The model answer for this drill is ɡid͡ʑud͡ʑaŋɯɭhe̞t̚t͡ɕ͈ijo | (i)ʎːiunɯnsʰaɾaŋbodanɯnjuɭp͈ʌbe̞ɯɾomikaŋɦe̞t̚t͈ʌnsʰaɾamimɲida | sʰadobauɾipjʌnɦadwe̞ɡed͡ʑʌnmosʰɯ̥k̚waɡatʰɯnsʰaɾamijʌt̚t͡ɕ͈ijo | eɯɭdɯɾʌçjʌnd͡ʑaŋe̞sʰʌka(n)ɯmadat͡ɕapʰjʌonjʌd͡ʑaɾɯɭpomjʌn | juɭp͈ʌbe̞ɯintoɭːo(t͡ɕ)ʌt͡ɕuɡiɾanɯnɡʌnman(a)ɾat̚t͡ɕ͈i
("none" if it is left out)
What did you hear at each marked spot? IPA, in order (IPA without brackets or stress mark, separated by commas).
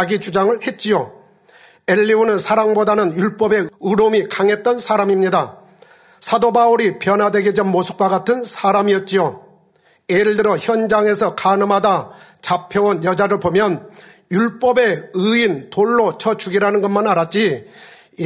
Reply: e, n, t͡ɕʰ, a